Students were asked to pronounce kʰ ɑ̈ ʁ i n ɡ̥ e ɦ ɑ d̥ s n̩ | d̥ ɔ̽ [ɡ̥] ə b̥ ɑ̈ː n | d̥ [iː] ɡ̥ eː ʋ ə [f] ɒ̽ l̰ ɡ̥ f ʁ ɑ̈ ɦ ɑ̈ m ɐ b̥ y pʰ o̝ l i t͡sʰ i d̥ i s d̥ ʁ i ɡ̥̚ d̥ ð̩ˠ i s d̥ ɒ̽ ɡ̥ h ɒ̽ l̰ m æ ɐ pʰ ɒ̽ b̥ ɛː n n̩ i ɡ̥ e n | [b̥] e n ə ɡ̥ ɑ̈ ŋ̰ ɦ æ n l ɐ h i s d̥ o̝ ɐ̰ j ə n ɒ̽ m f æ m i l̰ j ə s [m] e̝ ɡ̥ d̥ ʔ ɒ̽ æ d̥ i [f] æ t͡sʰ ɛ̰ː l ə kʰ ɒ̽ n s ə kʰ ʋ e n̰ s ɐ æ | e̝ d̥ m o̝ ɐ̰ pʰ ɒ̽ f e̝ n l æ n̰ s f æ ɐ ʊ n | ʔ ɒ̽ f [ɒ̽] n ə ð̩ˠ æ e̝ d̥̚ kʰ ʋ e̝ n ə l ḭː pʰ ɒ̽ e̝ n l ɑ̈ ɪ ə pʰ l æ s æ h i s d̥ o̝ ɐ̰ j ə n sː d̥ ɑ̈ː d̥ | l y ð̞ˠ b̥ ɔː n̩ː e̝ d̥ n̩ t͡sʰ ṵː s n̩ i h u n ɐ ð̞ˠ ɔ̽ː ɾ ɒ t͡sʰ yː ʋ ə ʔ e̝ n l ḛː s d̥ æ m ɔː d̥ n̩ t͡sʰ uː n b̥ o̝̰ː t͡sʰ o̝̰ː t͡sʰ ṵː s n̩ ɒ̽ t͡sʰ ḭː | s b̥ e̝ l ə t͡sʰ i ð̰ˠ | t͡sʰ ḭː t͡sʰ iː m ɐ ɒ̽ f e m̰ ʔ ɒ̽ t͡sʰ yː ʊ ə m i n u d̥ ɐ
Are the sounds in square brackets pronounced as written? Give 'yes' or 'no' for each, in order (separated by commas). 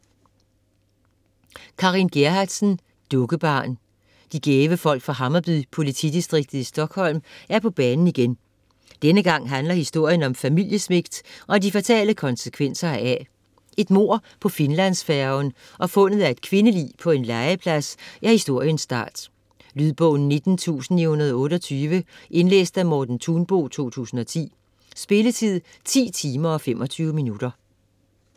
yes, no, yes, no, yes, yes, no